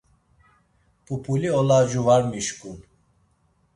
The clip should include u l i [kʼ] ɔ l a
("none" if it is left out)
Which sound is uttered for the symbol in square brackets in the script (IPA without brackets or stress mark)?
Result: none